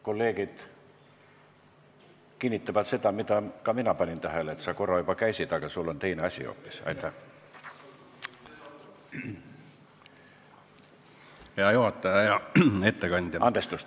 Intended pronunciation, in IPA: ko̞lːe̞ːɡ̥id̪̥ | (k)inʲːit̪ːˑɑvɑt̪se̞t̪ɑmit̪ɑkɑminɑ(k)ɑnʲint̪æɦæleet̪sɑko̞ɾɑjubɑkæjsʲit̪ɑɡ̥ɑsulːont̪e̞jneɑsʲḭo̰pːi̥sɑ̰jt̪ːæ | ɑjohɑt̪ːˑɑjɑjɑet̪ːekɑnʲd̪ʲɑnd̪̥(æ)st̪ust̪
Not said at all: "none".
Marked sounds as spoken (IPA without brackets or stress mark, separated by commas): k, p, e